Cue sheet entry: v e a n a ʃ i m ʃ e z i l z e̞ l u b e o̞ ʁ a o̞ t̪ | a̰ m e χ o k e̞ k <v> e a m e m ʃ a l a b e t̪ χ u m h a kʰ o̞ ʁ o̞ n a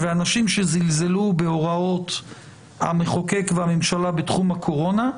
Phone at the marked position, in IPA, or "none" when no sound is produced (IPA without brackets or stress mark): v